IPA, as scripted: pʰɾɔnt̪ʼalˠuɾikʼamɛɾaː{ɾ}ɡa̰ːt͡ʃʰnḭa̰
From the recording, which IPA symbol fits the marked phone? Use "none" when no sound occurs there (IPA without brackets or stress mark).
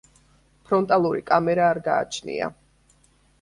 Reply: ɾ